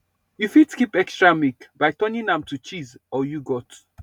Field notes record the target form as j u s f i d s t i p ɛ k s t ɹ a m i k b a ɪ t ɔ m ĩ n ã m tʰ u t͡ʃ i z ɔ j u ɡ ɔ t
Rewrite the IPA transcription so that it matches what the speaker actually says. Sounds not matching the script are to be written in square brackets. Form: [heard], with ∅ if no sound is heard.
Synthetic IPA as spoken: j u [∅] f i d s [k] i p ɛ k s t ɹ a m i k b a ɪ t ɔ [n] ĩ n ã m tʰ u t͡ʃ i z ɔ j u ɡ ɔ t